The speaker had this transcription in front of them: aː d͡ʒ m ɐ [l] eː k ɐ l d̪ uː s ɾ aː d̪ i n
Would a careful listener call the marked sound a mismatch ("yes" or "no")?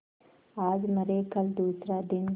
yes